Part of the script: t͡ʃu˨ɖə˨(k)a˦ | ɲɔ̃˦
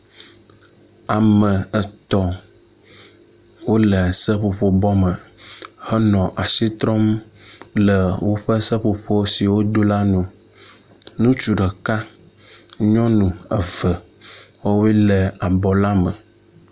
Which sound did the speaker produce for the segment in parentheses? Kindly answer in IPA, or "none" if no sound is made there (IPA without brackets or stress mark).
k